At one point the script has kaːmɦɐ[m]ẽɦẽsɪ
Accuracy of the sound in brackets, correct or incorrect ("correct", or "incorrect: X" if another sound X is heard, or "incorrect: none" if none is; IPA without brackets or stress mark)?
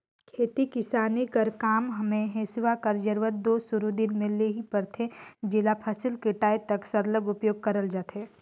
correct